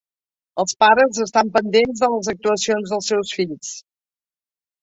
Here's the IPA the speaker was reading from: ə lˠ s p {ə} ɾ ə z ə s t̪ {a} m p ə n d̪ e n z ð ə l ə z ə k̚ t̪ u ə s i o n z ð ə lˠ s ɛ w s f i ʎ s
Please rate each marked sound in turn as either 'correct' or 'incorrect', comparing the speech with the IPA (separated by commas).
incorrect, correct